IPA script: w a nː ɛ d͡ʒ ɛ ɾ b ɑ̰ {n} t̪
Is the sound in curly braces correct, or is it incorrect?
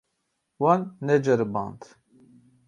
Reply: correct